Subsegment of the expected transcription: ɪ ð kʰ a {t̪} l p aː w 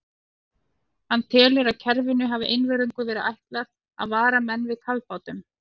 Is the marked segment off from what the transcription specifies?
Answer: yes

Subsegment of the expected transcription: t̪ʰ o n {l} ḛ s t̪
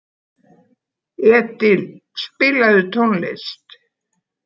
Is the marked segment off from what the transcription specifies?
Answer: no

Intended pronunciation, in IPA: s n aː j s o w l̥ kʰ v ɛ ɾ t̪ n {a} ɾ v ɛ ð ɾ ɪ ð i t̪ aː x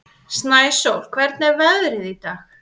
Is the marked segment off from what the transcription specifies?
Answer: yes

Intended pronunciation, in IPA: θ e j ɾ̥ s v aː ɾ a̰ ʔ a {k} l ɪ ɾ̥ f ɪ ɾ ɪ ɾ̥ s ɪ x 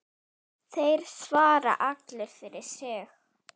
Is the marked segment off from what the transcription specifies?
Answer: no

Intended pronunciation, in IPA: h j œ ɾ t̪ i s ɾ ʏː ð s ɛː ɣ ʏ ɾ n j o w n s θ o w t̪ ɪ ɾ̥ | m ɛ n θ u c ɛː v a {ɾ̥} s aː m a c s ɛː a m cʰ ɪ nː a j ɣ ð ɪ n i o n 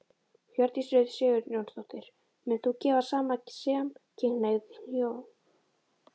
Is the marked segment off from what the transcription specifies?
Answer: yes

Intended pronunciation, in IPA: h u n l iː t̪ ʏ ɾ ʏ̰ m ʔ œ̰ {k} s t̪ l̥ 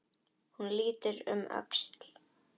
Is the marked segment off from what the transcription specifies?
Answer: no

